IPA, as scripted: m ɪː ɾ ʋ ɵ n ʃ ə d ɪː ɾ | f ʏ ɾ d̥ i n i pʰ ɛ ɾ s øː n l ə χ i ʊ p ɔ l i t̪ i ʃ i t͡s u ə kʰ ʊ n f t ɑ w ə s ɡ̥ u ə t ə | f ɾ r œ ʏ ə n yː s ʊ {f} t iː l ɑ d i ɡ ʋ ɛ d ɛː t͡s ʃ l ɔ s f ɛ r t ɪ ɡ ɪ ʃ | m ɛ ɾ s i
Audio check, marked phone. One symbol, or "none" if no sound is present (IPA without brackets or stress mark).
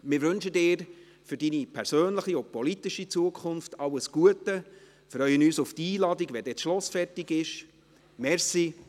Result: f